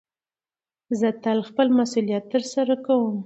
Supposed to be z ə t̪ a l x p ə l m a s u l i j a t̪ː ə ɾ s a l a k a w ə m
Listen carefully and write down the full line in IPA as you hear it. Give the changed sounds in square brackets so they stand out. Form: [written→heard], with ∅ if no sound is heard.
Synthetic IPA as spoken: z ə t̪ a l x p ə l m a s u l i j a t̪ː ə ɾ s a [l→ɾ] a k a w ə m